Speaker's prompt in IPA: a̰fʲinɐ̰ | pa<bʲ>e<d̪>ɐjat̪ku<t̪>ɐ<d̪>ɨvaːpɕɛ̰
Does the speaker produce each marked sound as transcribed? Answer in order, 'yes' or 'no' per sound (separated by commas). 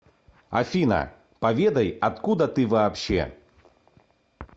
no, yes, no, no